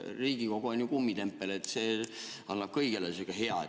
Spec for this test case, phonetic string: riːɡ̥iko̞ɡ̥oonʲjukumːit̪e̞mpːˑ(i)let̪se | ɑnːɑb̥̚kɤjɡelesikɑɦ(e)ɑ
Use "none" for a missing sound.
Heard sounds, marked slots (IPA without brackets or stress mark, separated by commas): e, e